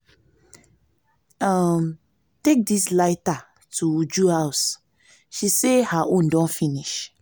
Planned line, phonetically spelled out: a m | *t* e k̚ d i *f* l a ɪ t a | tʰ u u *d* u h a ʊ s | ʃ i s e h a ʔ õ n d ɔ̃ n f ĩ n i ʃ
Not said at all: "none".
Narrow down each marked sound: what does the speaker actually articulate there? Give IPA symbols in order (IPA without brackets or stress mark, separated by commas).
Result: t, s, d͡ʒ